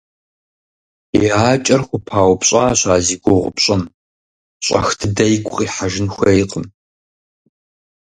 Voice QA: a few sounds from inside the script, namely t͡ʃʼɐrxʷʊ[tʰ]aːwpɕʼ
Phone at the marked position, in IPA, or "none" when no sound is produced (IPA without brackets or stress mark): pʰ